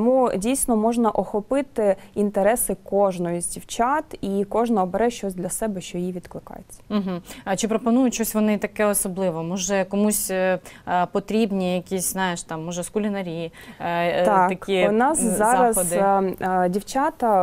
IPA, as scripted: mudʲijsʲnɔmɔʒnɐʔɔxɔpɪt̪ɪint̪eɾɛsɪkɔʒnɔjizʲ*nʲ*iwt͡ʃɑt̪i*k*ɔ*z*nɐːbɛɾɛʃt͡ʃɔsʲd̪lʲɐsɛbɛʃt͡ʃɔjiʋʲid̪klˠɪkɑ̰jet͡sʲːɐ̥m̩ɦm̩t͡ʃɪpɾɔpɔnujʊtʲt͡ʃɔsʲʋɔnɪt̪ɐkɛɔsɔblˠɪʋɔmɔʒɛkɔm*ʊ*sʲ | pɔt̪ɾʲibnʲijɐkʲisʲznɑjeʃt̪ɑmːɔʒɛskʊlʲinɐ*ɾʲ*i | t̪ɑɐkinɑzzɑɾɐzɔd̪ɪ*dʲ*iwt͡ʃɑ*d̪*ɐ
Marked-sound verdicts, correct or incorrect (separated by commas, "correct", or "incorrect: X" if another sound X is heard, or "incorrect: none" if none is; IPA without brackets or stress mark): incorrect: dʲ, correct, incorrect: ʒ, incorrect: u, correct, correct, incorrect: t̪